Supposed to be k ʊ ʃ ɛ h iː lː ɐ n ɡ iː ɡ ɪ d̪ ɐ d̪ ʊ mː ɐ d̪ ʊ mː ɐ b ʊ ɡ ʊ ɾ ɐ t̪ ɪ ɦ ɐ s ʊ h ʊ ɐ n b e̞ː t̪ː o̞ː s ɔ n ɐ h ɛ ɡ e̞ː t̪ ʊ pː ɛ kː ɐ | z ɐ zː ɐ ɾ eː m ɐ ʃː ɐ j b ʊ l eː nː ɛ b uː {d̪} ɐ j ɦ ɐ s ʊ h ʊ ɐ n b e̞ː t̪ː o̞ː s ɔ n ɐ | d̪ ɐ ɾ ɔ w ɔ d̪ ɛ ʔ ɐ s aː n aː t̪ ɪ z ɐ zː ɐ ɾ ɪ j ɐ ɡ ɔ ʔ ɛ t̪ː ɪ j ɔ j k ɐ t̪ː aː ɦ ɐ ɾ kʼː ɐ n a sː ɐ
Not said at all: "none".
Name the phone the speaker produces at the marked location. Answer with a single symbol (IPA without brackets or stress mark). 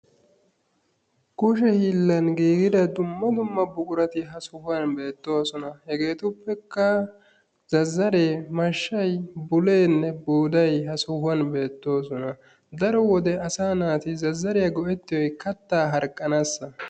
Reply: d̪